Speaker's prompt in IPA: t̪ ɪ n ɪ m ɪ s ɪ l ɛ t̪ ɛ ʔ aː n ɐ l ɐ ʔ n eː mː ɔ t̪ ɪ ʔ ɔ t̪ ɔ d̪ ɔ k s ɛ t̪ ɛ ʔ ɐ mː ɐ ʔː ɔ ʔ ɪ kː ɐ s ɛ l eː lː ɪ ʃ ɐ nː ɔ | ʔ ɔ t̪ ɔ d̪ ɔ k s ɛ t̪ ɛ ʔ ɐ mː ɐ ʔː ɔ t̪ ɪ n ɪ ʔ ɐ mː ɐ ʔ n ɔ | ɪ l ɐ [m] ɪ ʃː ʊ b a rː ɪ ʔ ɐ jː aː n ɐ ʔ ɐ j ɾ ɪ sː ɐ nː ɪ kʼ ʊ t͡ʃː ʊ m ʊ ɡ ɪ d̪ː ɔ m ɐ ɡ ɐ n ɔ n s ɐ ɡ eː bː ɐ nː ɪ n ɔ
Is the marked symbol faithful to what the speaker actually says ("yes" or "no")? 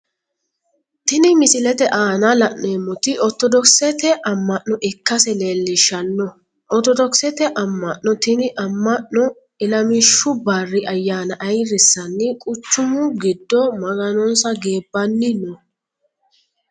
yes